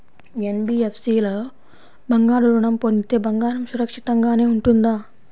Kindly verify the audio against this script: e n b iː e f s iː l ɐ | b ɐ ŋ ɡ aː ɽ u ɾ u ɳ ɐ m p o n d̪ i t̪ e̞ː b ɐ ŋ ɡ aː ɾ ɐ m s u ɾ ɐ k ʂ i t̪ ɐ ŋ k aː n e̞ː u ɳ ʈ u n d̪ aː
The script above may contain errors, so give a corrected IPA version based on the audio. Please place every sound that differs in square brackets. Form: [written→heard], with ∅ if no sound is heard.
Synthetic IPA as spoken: e n b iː e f s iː l ɐ | b ɐ ŋ ɡ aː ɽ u ɾ u ɳ ɐ m p o n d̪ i t̪ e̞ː b ɐ ŋ ɡ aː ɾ ɐ m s u ɾ ɐ k ʂ i t̪ ɐ ŋ [k→ɡ] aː n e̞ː u ɳ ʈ u n d̪ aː